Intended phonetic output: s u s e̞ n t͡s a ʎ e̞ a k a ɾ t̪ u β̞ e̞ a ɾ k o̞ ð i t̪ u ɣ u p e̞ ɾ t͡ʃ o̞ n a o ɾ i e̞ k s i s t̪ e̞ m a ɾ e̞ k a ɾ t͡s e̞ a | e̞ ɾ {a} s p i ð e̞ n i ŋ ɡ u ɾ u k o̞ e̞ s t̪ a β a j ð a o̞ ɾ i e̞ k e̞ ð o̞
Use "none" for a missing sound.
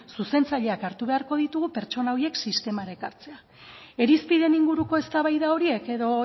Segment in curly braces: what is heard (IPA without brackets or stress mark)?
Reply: i